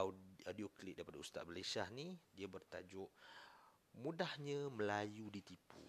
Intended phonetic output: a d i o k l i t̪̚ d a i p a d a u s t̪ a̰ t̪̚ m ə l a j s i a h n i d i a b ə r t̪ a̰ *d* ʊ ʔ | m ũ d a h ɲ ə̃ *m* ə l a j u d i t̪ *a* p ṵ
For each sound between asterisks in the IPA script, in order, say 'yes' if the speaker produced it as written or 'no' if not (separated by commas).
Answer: no, yes, no